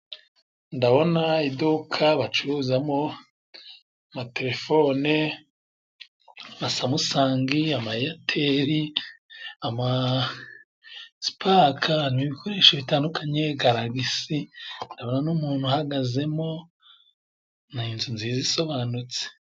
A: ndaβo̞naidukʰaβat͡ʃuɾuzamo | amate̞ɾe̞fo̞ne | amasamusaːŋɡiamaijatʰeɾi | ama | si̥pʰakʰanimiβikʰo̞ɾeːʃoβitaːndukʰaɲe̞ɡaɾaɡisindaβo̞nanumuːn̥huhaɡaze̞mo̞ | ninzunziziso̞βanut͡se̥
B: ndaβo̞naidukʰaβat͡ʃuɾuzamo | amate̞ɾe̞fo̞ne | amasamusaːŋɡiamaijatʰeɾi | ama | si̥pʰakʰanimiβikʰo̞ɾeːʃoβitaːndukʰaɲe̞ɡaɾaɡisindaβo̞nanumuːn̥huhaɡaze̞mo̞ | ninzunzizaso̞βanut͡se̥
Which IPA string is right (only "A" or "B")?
A